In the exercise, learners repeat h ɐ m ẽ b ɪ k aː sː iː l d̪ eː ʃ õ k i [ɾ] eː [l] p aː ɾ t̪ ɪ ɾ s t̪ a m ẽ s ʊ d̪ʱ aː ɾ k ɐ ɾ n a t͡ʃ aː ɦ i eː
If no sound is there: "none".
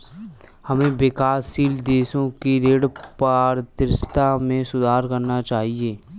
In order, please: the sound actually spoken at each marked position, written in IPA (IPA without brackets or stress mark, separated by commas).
ɾ, ɽ